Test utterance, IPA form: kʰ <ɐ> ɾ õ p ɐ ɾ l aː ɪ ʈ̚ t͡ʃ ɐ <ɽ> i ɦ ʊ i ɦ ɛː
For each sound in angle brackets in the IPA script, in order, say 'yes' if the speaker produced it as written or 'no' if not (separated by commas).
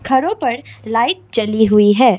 yes, no